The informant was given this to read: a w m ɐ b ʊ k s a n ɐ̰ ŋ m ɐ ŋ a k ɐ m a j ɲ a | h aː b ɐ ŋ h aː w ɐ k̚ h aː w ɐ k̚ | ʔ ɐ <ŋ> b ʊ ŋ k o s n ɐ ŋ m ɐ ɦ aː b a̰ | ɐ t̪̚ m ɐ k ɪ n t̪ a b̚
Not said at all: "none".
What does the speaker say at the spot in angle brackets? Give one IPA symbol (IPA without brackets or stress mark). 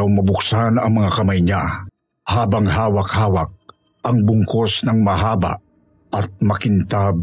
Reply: ŋ